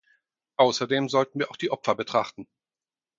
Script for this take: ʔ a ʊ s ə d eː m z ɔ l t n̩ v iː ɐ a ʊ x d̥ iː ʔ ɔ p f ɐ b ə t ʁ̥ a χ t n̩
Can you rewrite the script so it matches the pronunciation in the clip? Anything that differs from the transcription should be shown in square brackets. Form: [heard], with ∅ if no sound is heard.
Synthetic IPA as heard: ʔ a ʊ s [ɐ] d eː m z ɔ l t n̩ v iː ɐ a ʊ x d̥ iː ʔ ɔ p f ɐ b ə t ʁ̥ a χ t n̩